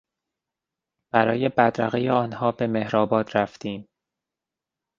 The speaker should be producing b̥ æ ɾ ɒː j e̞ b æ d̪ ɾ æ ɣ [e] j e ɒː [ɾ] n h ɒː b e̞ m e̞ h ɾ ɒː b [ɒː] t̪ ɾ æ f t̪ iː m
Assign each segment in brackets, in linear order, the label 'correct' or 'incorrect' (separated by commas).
correct, incorrect, correct